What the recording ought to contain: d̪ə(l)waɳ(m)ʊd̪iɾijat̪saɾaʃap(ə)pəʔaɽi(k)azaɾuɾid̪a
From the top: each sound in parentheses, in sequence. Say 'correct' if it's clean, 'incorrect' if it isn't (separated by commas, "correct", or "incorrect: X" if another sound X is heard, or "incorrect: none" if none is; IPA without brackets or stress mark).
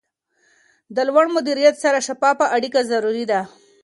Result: correct, correct, incorrect: ɑ, correct